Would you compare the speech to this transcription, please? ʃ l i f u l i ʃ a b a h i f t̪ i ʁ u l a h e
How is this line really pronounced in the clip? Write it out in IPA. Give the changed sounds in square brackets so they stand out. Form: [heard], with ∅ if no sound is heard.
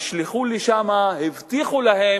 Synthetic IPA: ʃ l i [χ] u l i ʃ a [m] a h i [v] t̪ i [χ] u l a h e